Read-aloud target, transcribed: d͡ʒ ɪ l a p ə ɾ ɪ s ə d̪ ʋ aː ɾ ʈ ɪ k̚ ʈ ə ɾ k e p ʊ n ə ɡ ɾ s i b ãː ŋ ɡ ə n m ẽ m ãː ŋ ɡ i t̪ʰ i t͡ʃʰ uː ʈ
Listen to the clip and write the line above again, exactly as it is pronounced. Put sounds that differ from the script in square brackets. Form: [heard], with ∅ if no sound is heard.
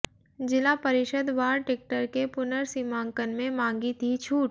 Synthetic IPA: d͡ʒ ɪ l a p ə ɾ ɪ [ʃ] ə d̪ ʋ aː ɾ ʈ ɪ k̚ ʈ ə ɾ k e p ʊ n ə [∅] ɾ s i [m] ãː ŋ [k] ə n m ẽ m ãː ŋ ɡ i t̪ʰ i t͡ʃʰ uː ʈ

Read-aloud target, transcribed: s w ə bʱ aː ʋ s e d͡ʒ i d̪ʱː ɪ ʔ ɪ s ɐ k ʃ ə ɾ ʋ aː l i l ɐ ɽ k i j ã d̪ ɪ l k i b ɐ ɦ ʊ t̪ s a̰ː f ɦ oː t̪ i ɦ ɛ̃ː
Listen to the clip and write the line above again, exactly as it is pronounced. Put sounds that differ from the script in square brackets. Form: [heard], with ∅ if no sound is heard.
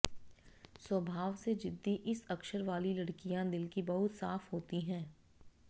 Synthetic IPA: s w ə bʱ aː ʋ s e d͡ʒ [ɪ] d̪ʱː [i] ʔ ɪ s ɐ k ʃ ə ɾ ʋ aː l i l ɐ ɽ k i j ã d̪ ɪ l k i b ɐ ɦ ʊ t̪ s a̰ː f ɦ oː t̪ i ɦ ɛ̃ː

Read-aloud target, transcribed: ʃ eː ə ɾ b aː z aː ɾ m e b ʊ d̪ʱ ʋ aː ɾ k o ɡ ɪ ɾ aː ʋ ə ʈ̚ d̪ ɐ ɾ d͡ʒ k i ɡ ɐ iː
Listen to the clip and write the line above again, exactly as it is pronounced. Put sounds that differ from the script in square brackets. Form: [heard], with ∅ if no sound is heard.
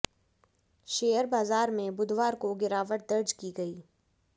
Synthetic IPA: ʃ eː ə ɾ b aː z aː ɾ m [ẽ] b ʊ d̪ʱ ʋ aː ɾ k o ɡ ɪ ɾ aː ʋ ə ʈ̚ d̪ ɐ ɾ d͡ʒ k i ɡ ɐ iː

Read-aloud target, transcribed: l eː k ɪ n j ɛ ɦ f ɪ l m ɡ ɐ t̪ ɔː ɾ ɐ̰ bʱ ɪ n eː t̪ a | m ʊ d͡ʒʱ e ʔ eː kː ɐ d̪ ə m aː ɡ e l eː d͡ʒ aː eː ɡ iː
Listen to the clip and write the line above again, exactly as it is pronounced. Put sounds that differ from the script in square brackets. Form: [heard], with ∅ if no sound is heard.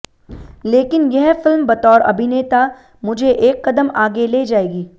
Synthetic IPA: l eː k ɪ n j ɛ ɦ f ɪ l m [b] ɐ t̪ ɔː ɾ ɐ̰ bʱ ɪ n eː t̪ a | m ʊ d͡ʒʱ e ʔ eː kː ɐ d̪ ə m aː ɡ e l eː d͡ʒ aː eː ɡ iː

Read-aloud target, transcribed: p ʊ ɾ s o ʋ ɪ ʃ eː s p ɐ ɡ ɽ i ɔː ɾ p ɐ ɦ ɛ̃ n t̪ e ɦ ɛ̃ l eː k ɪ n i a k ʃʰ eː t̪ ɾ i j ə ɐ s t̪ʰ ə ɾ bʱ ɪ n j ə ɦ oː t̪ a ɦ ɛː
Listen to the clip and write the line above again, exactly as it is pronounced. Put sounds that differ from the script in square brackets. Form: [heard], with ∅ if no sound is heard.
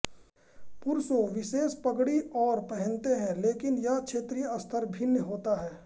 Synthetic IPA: p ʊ ɾ s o ʋ ɪ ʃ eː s p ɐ ɡ ɽ i ɔː ɾ p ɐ ɦ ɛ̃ n t̪ e ɦ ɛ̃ l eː k ɪ n [j] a k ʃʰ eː t̪ ɾ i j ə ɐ s t̪ʰ ə ɾ bʱ ɪ n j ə ɦ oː t̪ a ɦ ɛː

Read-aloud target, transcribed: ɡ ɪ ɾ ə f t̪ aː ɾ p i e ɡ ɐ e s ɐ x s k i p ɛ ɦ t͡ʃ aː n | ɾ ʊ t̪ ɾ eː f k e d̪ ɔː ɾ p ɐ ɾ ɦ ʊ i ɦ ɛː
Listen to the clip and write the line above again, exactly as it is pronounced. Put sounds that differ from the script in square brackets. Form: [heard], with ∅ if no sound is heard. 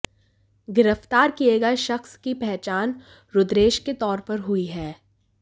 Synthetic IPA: ɡ ɪ ɾ ə f t̪ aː ɾ [k] i e ɡ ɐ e [ʃ] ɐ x s k i p ɛ ɦ t͡ʃ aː n | ɾ ʊ [d̪] ɾ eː [ʃ] k e [t̪] ɔː ɾ p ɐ ɾ ɦ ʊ i ɦ ɛː

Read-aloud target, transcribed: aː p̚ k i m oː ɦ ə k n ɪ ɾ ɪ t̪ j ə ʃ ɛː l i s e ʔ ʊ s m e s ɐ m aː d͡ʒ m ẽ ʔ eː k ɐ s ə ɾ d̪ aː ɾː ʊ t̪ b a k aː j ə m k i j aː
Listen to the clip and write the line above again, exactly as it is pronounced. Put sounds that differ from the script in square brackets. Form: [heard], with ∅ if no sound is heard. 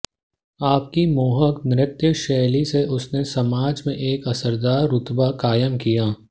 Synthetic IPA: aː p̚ k i m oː ɦ ə k n ɪ ɾ ɪ t̪ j ə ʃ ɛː l i s e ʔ ʊ s [n] e s ɐ m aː d͡ʒ m ẽ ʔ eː k ɐ s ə ɾ d̪ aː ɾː ʊ t̪ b a k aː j ə m k i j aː

